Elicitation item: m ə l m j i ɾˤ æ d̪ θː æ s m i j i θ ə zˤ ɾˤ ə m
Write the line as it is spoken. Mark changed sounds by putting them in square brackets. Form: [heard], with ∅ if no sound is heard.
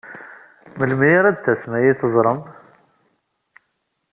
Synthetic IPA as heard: m ə l m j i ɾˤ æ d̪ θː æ s m [æ] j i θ ə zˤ ɾˤ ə m